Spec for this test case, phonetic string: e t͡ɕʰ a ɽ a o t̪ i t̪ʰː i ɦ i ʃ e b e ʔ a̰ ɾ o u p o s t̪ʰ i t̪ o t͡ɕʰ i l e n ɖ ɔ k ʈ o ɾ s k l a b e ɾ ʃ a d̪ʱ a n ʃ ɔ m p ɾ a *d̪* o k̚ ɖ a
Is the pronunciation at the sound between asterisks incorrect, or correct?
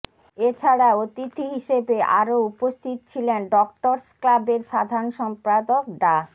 correct